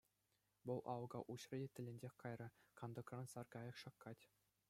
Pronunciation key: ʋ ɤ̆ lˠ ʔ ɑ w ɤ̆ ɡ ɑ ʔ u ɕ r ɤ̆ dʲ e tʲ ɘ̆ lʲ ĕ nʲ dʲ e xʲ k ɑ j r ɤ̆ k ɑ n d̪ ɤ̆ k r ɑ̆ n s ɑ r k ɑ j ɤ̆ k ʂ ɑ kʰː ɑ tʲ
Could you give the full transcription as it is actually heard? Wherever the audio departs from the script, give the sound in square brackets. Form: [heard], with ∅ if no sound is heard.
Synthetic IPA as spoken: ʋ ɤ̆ lˠ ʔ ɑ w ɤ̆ ɡ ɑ ʔ u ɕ r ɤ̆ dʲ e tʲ ɘ̆ lʲ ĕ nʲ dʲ e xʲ k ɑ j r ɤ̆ k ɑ n d̪ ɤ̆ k r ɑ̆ n s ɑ r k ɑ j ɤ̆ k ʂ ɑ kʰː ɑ tʲ